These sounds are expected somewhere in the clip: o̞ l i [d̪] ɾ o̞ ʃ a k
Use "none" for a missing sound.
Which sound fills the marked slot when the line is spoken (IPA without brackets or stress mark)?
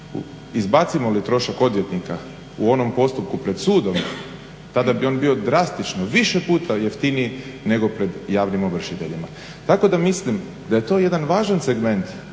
t̪